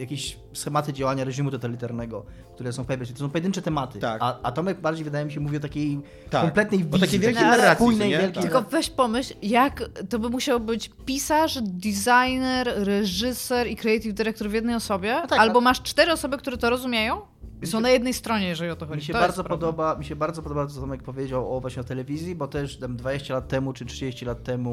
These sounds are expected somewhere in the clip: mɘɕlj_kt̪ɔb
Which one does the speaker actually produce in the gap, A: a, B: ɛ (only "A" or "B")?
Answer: A